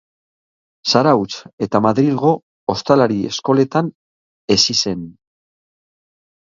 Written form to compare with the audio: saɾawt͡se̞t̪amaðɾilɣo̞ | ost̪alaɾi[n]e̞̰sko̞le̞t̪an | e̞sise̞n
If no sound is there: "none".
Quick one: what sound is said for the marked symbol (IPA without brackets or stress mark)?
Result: none